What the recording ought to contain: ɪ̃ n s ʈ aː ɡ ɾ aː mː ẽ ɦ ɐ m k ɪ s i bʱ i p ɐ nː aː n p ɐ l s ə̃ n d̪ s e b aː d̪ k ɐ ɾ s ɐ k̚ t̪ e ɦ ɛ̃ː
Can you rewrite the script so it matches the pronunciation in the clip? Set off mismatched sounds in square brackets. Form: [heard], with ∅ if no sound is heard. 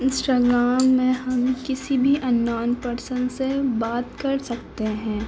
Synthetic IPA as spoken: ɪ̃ n s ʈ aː ɡ ɾ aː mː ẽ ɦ ɐ m k ɪ s i bʱ i [ʔ] ɐ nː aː n p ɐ [ɾ] s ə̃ n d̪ s e b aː [t̪] k ɐ ɾ s ɐ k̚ t̪ e ɦ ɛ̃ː